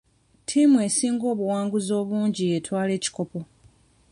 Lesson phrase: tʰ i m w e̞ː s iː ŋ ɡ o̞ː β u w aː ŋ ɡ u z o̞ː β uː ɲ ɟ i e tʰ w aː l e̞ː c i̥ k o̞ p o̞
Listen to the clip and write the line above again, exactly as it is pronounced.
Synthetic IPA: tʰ i m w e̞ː s iː ŋ ɡ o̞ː β u w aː ŋ ɡ u z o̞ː β uː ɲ ɟ i e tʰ w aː l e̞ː c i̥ k o̞ p o̞